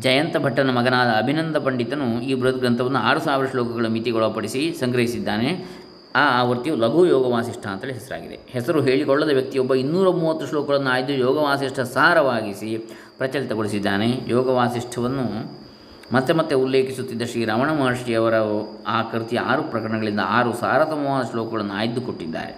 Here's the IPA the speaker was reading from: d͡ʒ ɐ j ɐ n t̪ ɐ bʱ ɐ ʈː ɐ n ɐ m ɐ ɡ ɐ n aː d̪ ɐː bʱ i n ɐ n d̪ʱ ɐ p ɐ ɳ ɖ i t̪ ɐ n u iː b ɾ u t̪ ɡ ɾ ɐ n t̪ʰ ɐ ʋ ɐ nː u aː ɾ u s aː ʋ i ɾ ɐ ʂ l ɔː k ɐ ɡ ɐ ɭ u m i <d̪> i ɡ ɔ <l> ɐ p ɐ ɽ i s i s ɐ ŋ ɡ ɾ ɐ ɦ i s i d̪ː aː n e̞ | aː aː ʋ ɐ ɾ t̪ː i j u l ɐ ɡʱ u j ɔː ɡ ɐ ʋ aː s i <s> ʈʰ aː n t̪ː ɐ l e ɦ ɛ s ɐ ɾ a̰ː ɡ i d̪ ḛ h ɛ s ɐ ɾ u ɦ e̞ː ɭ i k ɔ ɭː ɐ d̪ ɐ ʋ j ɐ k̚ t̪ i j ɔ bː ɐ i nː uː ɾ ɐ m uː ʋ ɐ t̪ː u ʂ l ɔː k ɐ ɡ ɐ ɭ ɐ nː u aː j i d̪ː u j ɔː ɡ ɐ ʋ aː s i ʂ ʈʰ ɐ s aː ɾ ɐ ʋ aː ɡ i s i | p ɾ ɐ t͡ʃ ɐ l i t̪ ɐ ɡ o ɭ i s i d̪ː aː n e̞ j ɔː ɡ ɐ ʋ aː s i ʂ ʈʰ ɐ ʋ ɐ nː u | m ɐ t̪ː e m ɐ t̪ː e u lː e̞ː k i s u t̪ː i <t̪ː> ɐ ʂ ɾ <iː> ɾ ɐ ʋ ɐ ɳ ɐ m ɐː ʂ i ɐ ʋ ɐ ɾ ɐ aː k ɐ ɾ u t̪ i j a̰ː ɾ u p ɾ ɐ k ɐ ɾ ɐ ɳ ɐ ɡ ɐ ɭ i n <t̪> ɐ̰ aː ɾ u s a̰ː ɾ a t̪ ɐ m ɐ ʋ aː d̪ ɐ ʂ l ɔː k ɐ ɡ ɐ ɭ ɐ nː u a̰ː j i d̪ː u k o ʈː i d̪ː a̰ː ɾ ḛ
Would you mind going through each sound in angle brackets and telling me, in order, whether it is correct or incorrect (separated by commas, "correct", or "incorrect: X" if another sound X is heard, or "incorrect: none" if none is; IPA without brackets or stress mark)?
incorrect: t̪, incorrect: ɭ, incorrect: ʂ, incorrect: d̪ː, correct, incorrect: d̪